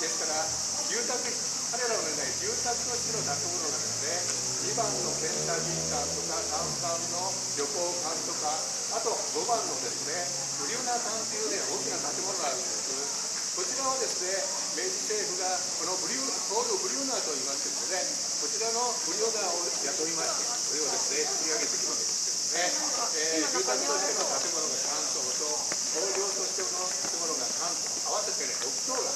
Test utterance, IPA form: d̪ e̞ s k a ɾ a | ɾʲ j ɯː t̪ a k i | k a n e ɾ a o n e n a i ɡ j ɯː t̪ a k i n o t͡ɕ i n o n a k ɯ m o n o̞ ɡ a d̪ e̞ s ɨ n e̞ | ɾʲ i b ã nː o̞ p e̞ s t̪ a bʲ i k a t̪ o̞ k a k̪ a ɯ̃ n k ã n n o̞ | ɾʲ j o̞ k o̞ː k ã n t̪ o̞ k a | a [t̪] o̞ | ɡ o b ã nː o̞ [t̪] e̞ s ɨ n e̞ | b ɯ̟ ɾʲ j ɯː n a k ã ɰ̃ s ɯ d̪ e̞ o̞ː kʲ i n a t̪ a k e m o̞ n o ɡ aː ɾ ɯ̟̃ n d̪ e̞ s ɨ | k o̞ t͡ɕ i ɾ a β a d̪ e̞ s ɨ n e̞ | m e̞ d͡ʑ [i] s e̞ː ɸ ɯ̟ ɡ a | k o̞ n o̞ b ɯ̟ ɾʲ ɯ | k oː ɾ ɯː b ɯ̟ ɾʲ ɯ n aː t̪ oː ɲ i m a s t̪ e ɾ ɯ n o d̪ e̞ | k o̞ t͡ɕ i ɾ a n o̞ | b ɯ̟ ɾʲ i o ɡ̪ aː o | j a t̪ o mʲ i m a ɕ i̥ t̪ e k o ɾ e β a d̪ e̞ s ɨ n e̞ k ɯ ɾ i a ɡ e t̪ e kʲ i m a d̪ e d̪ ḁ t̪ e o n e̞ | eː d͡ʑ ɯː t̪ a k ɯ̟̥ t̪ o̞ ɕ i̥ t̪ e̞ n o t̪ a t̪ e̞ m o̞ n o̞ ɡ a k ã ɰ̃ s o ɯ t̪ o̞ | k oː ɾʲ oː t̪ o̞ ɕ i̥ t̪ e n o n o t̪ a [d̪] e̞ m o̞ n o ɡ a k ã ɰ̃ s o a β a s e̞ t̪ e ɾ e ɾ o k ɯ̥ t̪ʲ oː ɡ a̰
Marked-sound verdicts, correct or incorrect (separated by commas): correct, incorrect, correct, incorrect